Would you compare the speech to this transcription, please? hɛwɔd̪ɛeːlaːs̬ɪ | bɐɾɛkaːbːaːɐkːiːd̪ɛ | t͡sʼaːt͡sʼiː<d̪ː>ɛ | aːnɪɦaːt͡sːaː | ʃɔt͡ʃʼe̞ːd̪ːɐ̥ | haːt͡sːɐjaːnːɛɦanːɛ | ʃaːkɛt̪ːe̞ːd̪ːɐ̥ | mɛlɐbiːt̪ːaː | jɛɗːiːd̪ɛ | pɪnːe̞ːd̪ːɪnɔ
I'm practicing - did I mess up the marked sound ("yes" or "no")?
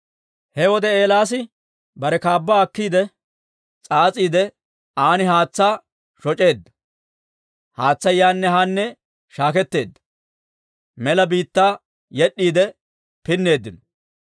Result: yes